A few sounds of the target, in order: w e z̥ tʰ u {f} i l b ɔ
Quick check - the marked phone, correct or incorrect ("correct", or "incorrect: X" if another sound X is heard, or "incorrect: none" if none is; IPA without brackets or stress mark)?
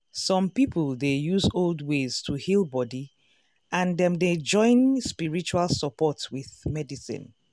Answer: incorrect: h